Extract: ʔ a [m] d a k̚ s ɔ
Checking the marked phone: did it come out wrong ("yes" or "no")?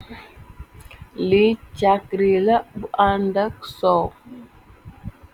yes